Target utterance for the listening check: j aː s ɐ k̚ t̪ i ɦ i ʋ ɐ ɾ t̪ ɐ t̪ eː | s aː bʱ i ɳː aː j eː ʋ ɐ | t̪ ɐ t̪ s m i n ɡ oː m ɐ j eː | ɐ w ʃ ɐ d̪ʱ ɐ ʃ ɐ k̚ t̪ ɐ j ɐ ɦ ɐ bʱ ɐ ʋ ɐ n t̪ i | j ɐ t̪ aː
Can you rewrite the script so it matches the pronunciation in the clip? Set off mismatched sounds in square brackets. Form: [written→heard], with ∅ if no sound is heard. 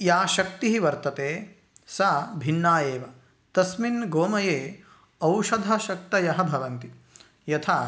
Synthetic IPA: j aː [s→ʃ] ɐ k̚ t̪ i ɦ i ʋ ɐ ɾ t̪ ɐ t̪ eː | s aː bʱ i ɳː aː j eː ʋ ɐ | t̪ ɐ [t̪→∅] s m i n ɡ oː m ɐ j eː | ɐ w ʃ ɐ d̪ʱ ɐ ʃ ɐ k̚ t̪ ɐ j ɐ ɦ ɐ bʱ ɐ ʋ ɐ n t̪ i | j ɐ [t̪→t̪ʰ] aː